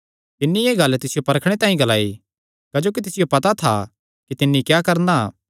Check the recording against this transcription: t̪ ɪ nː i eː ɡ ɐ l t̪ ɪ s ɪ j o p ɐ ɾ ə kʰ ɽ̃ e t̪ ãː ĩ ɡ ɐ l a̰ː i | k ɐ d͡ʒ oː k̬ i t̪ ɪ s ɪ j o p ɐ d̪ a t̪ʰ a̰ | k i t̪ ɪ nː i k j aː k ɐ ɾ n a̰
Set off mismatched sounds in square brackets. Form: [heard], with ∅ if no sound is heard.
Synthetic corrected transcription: t̪ ɪ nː i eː ɡ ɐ l t̪ ɪ s ɪ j o p ɐ ɾ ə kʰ ɽ̃ e t̪ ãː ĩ ɡ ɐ l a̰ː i | k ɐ d͡ʒ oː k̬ i t̪ ɪ s ɪ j o p ɐ [t̪] a t̪ʰ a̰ | k i t̪ ɪ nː i k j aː k ɐ ɾ n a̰